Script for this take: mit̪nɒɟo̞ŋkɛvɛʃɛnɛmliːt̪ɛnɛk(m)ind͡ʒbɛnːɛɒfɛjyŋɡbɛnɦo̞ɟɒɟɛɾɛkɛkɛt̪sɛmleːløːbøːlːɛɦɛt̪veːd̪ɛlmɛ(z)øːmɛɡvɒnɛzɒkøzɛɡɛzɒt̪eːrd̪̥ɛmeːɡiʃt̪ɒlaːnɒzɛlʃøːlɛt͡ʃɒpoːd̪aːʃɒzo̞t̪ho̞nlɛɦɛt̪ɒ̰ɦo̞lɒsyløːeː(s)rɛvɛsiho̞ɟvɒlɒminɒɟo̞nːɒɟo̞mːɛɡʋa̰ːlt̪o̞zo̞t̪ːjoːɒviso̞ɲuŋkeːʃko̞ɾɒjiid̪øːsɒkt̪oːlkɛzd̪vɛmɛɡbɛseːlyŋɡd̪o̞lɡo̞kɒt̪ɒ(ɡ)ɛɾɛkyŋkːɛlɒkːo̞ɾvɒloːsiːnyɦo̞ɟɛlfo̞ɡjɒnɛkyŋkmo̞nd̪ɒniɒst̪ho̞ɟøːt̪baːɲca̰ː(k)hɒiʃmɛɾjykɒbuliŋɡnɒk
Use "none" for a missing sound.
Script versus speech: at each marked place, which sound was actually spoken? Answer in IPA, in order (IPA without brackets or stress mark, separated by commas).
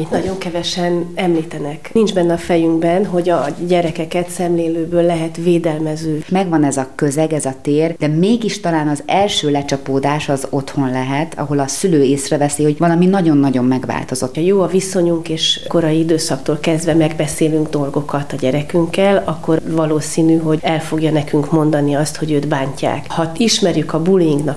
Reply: n, z, s, ɟ, k